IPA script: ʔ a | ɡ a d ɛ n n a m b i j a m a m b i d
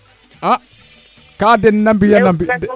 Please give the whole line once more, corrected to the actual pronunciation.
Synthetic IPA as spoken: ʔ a | k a d ɛ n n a m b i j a n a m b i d